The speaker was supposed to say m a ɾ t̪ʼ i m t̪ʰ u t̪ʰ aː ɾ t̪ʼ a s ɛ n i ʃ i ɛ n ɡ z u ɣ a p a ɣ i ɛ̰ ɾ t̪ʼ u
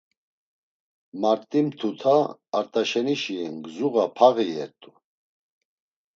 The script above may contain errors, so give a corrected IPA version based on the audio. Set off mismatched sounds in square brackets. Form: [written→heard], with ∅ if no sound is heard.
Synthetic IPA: m a ɾ t̪ʼ i m t̪ʰ u t̪ʰ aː ɾ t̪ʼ a [s→ʃ] ɛ n i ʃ i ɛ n ɡ z u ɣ a [p→pʰ] a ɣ i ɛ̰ ɾ t̪ʼ u